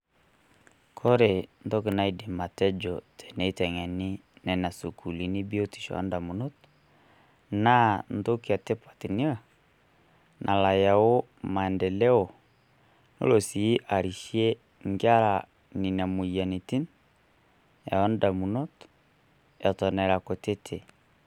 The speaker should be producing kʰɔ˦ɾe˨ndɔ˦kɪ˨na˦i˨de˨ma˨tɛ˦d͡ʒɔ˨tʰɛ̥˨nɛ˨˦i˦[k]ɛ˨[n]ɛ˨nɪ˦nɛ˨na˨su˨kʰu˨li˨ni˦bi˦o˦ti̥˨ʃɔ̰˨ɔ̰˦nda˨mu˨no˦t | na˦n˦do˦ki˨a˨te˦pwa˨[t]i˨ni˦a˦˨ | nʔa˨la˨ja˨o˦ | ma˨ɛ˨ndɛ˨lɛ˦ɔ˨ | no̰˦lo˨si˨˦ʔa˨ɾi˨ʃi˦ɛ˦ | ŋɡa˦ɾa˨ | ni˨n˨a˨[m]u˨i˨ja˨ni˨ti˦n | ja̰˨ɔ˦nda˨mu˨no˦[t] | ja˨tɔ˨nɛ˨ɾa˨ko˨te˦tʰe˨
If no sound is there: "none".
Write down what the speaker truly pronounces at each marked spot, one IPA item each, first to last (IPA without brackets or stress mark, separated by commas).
t, ŋ, t, m, t